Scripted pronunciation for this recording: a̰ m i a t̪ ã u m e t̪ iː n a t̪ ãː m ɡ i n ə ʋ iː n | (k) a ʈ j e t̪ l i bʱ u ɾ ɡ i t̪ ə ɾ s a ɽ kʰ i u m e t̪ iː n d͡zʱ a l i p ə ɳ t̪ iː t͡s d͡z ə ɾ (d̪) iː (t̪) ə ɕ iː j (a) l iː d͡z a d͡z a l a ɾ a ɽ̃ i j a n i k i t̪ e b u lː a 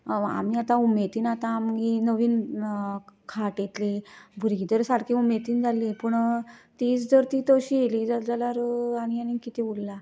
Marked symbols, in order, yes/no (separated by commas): no, no, yes, no